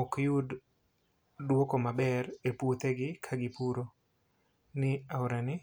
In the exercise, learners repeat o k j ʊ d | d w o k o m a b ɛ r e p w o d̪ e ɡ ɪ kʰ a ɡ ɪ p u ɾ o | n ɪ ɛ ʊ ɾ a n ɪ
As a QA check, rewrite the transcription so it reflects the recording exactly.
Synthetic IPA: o k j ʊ d | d w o k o m a b ɛ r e p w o t̪ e ɡ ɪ kʰ a ɡ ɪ p u ɾ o | n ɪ a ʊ ɾ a n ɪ